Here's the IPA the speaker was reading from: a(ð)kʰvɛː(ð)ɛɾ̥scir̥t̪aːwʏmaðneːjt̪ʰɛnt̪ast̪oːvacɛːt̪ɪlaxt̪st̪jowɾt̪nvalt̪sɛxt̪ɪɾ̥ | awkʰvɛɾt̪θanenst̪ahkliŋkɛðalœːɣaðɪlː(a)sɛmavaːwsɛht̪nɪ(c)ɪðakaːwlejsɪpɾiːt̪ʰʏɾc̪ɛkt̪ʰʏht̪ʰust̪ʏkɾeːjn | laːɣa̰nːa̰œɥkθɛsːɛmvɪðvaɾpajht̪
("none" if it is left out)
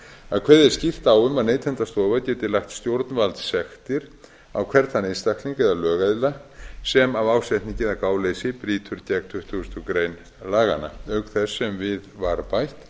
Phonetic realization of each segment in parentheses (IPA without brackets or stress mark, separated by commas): ð, ð, a, c